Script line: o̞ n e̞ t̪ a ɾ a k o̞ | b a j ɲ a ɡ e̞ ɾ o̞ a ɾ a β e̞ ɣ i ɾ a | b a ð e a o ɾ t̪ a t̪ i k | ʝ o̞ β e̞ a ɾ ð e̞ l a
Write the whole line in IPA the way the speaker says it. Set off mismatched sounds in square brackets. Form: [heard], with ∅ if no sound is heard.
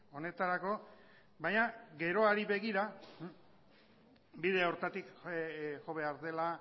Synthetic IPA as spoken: o̞ n e̞ t̪ a ɾ a k o̞ | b a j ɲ a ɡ e̞ ɾ o̞ a ɾ [i] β e̞ ɣ i ɾ a | b [i] ð e a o ɾ t̪ a t̪ i k | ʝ o̞ β e̞ a ɾ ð e̞ l a

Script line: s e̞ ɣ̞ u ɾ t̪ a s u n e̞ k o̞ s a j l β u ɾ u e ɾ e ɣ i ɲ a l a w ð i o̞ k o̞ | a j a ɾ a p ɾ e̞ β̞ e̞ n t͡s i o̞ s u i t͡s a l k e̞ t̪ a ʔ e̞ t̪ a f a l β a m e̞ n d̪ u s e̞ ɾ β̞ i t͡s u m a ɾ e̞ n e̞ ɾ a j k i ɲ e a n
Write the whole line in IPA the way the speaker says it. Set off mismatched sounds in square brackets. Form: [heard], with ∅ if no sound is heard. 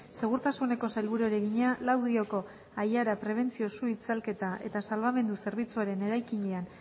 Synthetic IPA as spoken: s e̞ ɣ̞ u ɾ t̪ a s u n e̞ k o̞ s a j l β u ɾ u e ɾ e ɣ i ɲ a l a w ð i o̞ k o̞ | a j a ɾ a p ɾ e̞ β̞ e̞ n t͡s i o̞ s u i t͡s a l k e̞ t̪ a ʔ e̞ t̪ a [s] a l β a m e̞ n d̪ u s e̞ ɾ β̞ i t͡s u [∅] a ɾ e̞ n e̞ ɾ a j k i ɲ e a n

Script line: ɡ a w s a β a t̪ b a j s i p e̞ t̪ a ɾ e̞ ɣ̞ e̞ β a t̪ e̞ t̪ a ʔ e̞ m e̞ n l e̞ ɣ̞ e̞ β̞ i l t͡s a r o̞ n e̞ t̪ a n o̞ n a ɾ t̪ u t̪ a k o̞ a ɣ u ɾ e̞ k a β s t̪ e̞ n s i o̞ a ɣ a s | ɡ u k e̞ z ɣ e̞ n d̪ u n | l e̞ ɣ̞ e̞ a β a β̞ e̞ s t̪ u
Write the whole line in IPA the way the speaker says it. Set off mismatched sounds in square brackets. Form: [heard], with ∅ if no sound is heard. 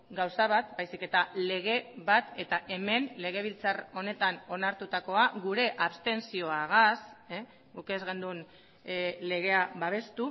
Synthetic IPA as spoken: ɡ a w s a β a t̪ b a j s i [k] e̞ t̪ a [l] e̞ ɣ̞ e̞ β a t̪ e̞ t̪ a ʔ e̞ m e̞ n l e̞ ɣ̞ e̞ β̞ i l t͡s a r o̞ n e̞ t̪ a n o̞ n a ɾ t̪ u t̪ a k o̞ a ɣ u ɾ e̞ [ʔ] a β s t̪ e̞ n s i o̞ a ɣ a s | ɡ u k e̞ z ɣ e̞ n d̪ u n | l e̞ ɣ̞ e̞ a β a β̞ e̞ s t̪ u

